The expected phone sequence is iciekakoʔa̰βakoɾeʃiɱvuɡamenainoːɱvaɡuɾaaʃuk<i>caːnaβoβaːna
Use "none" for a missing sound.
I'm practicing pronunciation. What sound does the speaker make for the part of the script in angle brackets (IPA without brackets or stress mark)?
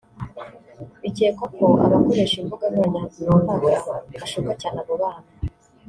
a